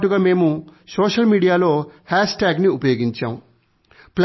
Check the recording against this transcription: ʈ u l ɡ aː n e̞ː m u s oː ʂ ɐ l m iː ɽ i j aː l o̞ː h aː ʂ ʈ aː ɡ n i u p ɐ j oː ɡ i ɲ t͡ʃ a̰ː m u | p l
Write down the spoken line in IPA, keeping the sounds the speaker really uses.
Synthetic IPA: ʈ u ɡ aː m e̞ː m u s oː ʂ ɐ l m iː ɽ i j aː l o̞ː h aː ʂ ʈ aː ɡ n i u p ɐ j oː ɡ i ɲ t͡ʃ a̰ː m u | p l

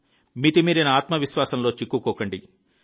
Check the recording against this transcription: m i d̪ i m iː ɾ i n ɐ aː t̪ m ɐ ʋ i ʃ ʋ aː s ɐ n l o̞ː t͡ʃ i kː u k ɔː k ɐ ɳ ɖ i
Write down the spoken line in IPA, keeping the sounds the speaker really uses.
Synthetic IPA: m i t̪ i m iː ɾ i n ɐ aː t̪ m ɐ ʋ i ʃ ʋ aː s ɐ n l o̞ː t͡ʃ i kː u k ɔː k ɐ ɳ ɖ i

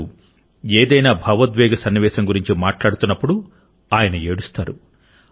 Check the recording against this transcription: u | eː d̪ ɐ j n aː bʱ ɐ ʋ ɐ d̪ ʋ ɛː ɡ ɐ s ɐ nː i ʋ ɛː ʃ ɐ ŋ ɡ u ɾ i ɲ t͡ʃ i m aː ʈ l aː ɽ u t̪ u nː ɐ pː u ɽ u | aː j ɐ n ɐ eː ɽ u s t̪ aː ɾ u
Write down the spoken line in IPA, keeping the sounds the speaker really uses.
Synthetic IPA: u | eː d̪ ɐ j n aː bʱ ɐ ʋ ɐ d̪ ʋ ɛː ɡ ɐ s ɐ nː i ʋ ɛː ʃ ɐ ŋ ɡ u ɾ i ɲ t͡ʃ i m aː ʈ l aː ɽ u t̪ u nː ɐ pː u ɽ u | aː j ɐ n ɐ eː ɽ u s t̪ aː ɾ u

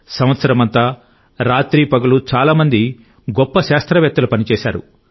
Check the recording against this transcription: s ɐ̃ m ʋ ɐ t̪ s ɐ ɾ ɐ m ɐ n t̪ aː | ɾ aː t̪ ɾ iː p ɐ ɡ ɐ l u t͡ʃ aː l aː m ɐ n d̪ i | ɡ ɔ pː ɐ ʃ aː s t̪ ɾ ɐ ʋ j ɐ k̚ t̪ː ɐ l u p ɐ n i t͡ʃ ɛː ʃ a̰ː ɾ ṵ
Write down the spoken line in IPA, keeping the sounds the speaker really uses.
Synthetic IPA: s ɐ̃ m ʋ ɐ t̪ s ɐ ɾ ɐ m ɐ n t̪ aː | ɾ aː t̪ ɾ iː p ɐ ɡ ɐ l u t͡ʃ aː l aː m ɐ n d̪ i | ɡ ɔ pː ɐ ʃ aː s t̪ ɾ ɐ ʋ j ɐ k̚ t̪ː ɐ l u p ɐ n i t͡ʃ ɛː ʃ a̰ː ɾ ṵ

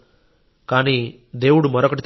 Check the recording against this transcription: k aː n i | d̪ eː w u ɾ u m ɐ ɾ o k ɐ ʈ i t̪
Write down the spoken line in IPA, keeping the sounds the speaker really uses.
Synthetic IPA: k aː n i | d̪ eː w u ɽ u m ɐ ɾ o k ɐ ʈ i t̪

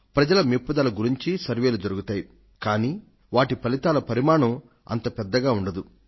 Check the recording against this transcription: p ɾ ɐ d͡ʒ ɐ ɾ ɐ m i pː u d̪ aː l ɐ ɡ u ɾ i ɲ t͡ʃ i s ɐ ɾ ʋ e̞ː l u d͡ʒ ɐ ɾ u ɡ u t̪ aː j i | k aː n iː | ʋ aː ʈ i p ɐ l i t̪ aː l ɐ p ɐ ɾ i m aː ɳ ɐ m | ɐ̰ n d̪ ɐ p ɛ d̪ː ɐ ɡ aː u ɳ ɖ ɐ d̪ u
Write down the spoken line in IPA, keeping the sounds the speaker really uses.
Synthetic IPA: p ɾ ɐ d͡ʒ ɐ l ɐ m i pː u d̪ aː l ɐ ɡ u ɾ i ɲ t͡ʃ i s ɐ ɾ ʋ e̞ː l u d͡ʒ ɐ ɾ u ɡ u t̪ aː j i | k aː n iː | ʋ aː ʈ i p ɐ l i t̪ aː l ɐ p ɐ ɾ i m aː ɳ ɐ m | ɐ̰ n t̪ ɐ p ɛ d̪ː ɐ ɡ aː u ɳ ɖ ɐ d̪ u

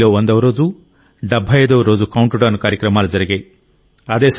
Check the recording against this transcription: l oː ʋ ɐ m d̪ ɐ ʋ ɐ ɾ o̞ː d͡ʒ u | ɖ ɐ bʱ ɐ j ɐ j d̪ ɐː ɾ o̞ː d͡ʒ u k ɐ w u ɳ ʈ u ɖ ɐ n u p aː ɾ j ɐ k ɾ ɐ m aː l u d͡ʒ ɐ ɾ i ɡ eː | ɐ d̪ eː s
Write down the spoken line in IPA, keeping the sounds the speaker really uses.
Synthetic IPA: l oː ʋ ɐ n d̪ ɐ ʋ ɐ ɾ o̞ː d͡ʒ u | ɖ ɐ bʱ ɐ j ɐ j d̪ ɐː ɾ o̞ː d͡ʒ u k ɐ w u ɳ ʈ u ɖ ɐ n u k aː ɾ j ɐ k ɾ ɐ m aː l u d͡ʒ ɐ ɾ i ɡ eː | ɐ d̪ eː s

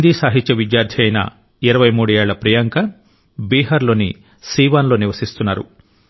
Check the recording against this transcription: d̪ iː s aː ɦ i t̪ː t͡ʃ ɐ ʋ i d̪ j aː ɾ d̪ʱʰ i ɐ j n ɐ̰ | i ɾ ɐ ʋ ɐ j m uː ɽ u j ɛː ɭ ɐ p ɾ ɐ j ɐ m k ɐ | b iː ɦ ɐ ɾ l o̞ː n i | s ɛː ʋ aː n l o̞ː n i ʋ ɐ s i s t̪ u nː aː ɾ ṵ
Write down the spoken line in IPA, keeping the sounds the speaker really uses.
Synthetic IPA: d̪ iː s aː ɦ i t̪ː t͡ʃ ɐ ʋ i d̪ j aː ɾ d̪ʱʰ j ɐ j n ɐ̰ | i ɾ ɐ ʋ ɐ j m uː ɽ u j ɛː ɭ ɐ p ɾ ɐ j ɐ ŋ k ɐ | b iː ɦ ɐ ɾ l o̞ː n i | s iː ʋ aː n l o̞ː n i ʋ ɐ s i s t̪ u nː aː ɾ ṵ

